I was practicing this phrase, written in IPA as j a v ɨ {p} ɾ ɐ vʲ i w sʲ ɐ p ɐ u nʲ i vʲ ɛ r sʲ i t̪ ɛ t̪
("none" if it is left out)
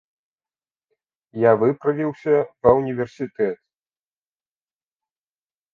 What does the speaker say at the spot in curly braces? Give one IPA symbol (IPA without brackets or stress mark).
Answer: p